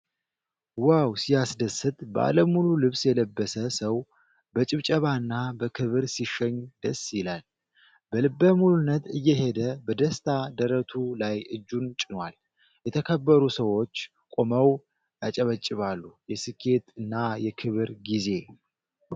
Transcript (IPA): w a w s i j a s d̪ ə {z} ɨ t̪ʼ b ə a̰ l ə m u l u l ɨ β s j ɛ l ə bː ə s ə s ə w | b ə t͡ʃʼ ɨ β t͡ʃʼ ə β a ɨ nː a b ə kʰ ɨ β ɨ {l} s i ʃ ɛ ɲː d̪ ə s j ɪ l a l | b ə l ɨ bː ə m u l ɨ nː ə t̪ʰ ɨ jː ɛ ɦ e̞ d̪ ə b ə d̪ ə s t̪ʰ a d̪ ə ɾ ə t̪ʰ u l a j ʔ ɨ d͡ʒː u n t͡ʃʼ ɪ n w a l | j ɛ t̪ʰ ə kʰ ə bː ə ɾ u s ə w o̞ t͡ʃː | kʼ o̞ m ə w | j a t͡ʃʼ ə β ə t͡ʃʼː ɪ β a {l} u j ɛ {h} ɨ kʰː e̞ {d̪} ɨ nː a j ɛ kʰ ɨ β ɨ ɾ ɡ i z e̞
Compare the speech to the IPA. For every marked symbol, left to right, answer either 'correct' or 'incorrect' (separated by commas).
incorrect, incorrect, incorrect, incorrect, incorrect